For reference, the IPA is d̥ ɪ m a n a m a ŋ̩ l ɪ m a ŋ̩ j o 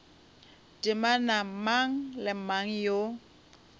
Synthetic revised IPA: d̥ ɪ m a n a m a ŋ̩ l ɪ m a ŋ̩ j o